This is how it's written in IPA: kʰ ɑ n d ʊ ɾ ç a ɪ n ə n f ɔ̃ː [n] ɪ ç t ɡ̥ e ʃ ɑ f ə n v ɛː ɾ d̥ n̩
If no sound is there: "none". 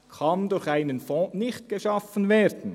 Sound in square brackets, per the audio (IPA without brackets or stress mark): n